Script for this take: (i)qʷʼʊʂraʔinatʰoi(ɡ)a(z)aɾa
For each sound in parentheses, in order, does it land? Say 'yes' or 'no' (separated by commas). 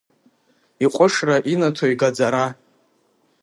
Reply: yes, yes, no